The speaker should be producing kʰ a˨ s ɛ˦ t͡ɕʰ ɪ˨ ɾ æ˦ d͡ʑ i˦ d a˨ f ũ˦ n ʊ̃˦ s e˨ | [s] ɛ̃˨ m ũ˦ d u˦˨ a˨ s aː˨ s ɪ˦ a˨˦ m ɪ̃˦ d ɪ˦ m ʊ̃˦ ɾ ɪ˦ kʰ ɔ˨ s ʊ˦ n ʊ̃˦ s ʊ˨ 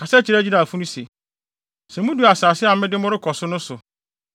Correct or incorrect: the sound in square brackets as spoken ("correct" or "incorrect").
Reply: correct